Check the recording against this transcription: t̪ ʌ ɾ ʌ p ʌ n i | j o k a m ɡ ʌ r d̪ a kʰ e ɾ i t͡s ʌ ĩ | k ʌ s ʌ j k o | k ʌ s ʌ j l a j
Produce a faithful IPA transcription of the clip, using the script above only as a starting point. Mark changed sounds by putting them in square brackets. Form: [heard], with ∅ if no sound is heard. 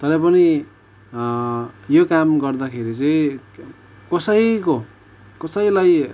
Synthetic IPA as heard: t̪ ʌ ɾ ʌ p ʌ n i | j o k a m ɡ ʌ r d̪ a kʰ e ɾ i t͡s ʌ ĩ | k ʌ s ʌ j k o | k ʌ s ʌ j l a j